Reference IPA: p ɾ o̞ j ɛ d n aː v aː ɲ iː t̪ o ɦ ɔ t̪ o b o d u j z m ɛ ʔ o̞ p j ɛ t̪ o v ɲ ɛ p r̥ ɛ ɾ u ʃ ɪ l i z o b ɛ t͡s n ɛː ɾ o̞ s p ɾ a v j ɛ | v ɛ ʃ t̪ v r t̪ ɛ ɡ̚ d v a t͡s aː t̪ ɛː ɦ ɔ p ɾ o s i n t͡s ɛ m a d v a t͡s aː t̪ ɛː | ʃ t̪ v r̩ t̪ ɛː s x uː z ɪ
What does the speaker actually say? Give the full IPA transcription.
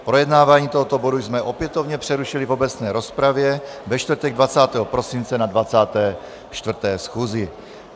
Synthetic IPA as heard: p ɾ o̞ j ɛ d n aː v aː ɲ iː t̪ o ɦ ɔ t̪ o b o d u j z m ɛ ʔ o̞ p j ɛ t̪ o v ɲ ɛ p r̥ ɛ ɾ u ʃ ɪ l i v o b ɛ t͡s n ɛː ɾ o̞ s p ɾ a v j ɛ | v ɛ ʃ t̪ v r t̪ ɛ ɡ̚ d v a t͡s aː t̪ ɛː ɦ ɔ p ɾ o s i n t͡s ɛ n a d v a t͡s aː t̪ ɛː | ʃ t̪ v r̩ t̪ ɛː s x uː z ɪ